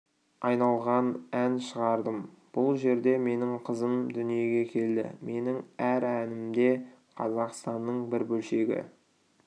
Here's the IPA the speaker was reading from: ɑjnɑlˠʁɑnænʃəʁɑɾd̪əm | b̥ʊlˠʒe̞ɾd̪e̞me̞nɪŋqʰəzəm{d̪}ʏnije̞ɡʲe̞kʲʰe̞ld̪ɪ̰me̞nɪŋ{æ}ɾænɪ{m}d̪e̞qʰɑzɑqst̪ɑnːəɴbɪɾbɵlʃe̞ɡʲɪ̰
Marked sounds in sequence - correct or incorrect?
correct, correct, correct

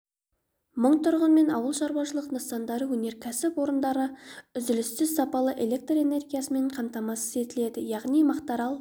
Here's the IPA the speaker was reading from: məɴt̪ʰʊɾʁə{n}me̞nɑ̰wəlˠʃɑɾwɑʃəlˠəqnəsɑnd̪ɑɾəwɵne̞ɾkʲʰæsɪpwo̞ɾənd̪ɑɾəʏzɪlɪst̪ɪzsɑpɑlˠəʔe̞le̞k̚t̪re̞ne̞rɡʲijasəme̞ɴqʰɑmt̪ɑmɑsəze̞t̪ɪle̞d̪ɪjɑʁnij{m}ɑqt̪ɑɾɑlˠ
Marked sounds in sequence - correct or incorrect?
correct, correct

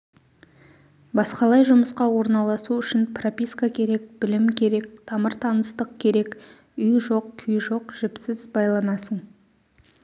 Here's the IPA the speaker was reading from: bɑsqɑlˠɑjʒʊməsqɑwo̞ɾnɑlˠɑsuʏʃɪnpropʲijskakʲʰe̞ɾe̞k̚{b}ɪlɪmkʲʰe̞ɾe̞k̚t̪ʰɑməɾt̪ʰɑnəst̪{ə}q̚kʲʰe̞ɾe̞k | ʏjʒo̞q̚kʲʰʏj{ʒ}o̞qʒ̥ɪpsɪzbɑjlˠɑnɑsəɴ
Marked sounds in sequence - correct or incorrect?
correct, correct, correct

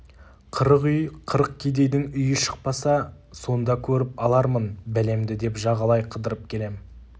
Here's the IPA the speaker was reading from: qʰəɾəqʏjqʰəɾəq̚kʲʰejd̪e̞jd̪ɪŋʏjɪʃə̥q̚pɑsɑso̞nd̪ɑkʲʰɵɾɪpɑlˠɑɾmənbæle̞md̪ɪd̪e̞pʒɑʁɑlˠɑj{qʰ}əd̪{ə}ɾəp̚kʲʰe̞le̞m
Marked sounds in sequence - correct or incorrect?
correct, correct

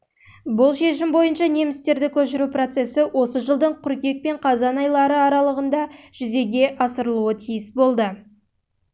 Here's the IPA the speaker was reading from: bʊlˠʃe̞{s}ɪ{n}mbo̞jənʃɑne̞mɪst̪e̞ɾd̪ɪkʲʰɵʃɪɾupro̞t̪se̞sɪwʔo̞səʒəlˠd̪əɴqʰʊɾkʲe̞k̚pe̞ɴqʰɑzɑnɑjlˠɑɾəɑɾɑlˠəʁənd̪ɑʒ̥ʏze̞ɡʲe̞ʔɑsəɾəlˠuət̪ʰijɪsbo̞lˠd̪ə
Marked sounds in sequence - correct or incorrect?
incorrect, incorrect

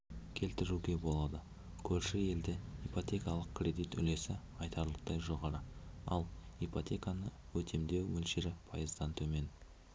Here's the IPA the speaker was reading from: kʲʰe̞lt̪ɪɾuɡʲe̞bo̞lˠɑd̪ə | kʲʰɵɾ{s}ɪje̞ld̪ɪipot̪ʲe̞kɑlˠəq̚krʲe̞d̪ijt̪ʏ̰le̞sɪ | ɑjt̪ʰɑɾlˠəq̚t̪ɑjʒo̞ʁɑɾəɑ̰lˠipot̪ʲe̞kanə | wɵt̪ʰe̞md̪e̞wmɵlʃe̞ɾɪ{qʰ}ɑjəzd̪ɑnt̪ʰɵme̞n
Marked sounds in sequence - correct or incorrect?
incorrect, incorrect

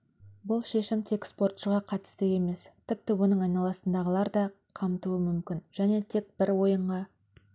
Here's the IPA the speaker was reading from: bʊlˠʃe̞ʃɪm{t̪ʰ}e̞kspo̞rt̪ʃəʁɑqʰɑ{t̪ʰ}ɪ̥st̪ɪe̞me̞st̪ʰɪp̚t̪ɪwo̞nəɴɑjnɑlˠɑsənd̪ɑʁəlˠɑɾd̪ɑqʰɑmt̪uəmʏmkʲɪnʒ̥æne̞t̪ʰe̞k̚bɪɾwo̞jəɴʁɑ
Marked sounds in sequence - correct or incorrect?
correct, incorrect

